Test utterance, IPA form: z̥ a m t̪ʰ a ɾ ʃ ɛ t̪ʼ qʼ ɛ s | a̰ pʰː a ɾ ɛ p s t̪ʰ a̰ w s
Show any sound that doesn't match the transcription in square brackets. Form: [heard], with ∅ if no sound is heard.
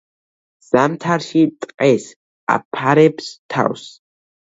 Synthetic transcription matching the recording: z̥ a m t̪ʰ a ɾ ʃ [i] t̪ʼ qʼ ɛ s | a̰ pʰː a ɾ ɛ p s t̪ʰ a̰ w s